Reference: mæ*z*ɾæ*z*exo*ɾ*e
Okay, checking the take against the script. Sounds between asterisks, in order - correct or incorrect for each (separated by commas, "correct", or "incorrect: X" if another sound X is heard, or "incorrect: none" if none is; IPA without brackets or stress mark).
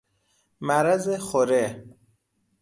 incorrect: none, correct, correct